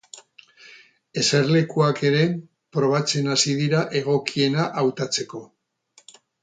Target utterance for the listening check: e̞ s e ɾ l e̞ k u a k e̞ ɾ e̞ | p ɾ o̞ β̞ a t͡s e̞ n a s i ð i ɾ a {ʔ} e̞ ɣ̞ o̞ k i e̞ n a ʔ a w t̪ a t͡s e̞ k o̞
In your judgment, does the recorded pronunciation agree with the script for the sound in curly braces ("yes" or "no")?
yes